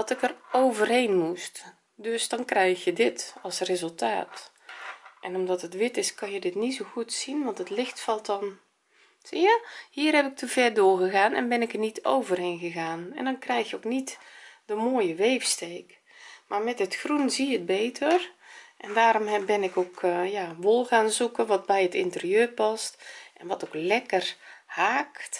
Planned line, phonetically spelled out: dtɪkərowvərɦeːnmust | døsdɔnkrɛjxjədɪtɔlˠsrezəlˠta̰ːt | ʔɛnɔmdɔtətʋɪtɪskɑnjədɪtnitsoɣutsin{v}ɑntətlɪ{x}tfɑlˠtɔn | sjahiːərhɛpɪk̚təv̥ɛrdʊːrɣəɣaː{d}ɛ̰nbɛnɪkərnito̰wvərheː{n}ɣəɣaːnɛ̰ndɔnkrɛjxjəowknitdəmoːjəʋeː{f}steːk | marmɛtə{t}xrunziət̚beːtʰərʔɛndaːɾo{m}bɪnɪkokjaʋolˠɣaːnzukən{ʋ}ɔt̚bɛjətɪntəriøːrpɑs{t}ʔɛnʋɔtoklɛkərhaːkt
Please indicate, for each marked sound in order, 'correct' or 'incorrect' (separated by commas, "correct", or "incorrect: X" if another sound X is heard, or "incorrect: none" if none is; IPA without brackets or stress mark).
incorrect: ʋ, correct, incorrect: n, correct, correct, correct, correct, correct, correct